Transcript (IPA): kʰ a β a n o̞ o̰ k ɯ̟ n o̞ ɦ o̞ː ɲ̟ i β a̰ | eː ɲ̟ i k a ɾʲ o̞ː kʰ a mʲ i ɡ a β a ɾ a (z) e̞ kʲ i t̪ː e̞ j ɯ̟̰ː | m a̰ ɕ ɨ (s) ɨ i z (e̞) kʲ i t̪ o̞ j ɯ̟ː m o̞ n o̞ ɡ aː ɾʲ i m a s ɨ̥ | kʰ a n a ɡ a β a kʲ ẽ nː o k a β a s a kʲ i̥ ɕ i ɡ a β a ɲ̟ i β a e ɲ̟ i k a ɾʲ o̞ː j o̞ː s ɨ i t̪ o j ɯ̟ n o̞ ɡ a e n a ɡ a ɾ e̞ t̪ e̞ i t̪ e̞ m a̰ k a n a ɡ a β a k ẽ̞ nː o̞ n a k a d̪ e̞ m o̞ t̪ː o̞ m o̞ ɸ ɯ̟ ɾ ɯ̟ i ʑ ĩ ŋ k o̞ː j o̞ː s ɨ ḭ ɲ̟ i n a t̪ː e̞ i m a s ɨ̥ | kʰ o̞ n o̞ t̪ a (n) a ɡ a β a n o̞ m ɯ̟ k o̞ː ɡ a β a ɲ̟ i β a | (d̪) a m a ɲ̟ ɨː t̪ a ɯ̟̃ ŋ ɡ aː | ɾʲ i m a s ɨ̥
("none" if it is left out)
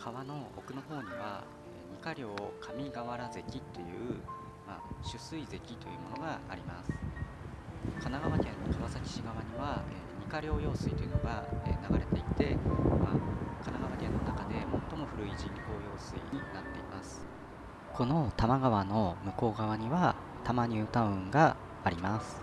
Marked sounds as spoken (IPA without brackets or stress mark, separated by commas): z, s, e̞, m, t̪